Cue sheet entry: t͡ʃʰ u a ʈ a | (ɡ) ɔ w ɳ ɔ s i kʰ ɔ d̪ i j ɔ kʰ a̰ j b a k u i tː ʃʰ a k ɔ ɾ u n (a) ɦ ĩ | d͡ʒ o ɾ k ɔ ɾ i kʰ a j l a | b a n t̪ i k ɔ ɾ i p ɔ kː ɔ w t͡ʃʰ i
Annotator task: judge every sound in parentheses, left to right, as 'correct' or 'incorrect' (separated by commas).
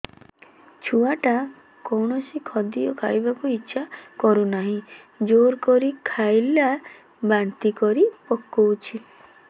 incorrect, correct